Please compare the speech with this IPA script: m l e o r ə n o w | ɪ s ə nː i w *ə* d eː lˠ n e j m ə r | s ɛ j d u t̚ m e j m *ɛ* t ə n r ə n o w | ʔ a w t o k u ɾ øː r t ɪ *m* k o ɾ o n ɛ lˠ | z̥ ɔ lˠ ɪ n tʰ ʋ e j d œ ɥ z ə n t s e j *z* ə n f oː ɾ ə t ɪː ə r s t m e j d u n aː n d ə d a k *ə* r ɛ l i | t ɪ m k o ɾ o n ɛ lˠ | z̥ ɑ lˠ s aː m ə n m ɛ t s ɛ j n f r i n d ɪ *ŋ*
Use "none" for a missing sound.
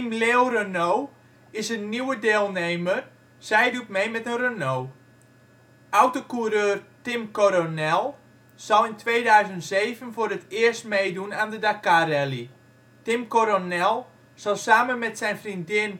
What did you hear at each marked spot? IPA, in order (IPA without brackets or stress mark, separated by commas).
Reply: ə, ɛ, m, v, a, n